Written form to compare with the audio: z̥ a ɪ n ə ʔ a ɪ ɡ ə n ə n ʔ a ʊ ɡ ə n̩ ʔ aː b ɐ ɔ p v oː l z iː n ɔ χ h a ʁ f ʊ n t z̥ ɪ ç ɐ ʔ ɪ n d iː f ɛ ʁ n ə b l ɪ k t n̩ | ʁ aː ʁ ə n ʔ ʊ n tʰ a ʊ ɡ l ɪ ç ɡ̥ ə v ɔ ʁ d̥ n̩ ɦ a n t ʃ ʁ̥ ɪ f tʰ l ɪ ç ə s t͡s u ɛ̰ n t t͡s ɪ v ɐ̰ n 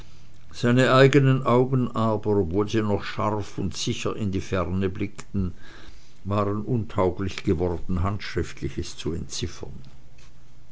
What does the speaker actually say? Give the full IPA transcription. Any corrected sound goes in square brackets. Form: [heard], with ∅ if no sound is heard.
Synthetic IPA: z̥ a ɪ n ə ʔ a ɪ ɡ ə n ə n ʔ a ʊ ɡ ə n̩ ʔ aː b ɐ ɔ p v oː l z iː n ɔ χ [ʃ] a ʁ f ʊ n t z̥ ɪ ç ɐ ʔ ɪ n d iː f ɛ ʁ n ə b l ɪ k t n̩ | [v] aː ʁ ə n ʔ ʊ n tʰ a ʊ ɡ l ɪ ç ɡ̥ ə v ɔ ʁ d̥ n̩ ɦ a n t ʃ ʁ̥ ɪ f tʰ l ɪ ç ə s t͡s u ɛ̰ n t t͡s ɪ [f] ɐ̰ n